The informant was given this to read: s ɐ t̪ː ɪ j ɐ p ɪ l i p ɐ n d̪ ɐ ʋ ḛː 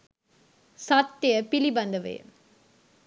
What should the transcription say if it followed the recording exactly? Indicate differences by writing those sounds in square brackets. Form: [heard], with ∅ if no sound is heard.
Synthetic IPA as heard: s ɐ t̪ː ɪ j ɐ p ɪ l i [b] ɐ n d̪ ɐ ʋ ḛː

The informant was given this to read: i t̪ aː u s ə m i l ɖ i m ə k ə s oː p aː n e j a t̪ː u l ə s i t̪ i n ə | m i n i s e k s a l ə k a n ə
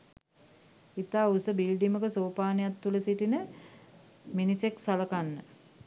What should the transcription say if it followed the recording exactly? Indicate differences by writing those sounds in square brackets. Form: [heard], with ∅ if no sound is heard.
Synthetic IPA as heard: i t̪ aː u s ə [b] i l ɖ i m ə k ə s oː p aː n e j a t̪ː u l ə s i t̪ i n ə | m i n i s e k s a l ə k a [nː] ə

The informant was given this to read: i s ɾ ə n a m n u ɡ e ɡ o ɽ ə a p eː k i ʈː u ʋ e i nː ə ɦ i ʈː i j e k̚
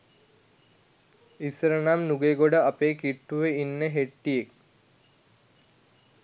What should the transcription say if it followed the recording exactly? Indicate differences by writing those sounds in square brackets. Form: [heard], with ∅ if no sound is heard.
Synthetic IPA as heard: i s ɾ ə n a m n u ɡ e ɡ o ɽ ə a p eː k i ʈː u ʋ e i nː ə ɦ [e] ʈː i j e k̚

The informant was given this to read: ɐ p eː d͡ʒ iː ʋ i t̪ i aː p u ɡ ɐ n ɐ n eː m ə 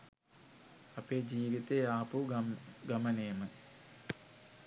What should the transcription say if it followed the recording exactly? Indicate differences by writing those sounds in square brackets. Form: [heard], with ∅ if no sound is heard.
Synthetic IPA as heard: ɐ p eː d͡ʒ iː ʋ i t̪ [e] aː p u ɡ ɐ [m] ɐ n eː m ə

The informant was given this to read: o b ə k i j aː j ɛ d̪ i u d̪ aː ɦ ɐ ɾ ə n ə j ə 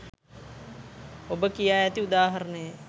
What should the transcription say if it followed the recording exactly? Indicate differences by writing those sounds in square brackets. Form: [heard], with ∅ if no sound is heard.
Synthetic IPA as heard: o b ə k i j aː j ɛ [t̪] i u d̪ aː ɦ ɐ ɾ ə n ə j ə

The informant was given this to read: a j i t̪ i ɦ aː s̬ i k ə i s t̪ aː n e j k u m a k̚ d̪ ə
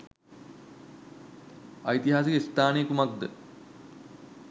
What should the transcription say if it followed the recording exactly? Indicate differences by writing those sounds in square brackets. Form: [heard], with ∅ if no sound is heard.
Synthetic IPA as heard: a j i t̪ i ɦ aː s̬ i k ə i s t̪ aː n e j k u m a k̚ d̪ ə

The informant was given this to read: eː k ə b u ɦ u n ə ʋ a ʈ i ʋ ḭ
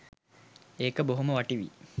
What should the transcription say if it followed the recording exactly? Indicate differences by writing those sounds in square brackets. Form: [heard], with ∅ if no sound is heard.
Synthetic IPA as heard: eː k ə b [o] ɦ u [m] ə ʋ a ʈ i ʋ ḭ

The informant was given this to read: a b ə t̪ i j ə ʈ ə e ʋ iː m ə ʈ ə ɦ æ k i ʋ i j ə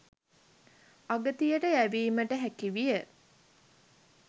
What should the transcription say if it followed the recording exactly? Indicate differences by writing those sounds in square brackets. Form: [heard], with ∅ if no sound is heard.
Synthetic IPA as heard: a [ɡ] ə t̪ i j ə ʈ ə [æ] ʋ iː m ə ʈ ə ɦ æ k i ʋ i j ə

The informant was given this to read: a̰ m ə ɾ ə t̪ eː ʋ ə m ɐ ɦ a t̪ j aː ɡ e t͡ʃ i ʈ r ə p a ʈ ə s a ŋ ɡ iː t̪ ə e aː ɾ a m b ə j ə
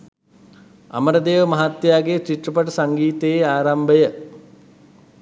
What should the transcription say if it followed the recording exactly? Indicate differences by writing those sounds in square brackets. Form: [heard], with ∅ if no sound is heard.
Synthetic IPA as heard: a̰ m ə ɾ ə [d̪] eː ʋ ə m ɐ ɦ a t̪ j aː ɡ e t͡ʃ i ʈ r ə p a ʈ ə s a ŋ ɡ iː t̪ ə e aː ɾ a m b ə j ə

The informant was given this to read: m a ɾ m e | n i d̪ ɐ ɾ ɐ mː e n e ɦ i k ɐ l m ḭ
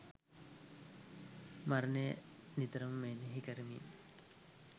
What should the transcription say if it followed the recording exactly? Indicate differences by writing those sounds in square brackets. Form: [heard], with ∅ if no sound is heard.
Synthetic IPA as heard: m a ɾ [n] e | n i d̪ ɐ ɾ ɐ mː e n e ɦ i k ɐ [ɾ] m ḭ

